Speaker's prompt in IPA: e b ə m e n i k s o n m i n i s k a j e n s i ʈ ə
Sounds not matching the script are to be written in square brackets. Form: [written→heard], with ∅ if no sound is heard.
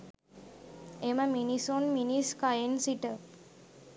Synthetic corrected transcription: e [b→m] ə m [e→i] n i [k→∅] s o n m i n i s k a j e n s i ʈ ə

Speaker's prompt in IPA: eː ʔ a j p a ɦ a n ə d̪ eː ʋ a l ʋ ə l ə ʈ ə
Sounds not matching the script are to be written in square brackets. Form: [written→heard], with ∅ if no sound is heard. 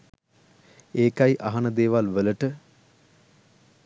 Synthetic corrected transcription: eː [ʔ→k] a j [p→ʔ] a ɦ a n ə d̪ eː ʋ a l ʋ ə l ə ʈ ə

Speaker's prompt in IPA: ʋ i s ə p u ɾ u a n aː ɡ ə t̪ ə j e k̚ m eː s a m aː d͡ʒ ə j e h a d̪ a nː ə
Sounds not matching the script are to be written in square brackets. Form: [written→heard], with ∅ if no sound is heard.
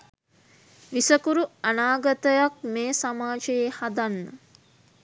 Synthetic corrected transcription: ʋ i s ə [p→k] u ɾ u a n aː ɡ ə t̪ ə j [e→a] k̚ m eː s a m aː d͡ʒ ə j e h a d̪ a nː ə

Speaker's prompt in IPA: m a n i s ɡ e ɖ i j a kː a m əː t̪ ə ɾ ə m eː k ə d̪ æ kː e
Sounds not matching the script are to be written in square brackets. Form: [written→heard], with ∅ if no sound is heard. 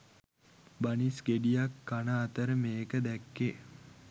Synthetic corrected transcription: [m→b] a n i s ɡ e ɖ i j a kː a [m→n] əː t̪ ə ɾ ə m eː k ə d̪ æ kː e

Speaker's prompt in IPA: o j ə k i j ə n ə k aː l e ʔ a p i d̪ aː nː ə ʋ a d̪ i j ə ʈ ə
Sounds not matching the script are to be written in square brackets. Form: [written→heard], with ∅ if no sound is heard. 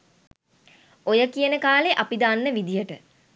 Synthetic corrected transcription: o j ə k i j ə n ə k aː l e ʔ a p i d̪ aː nː ə ʋ [a→i] d̪ i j ə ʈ ə

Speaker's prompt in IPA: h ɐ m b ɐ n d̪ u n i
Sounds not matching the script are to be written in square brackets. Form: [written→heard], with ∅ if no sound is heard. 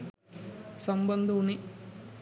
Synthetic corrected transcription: [h→s] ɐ m b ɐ n d̪ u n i

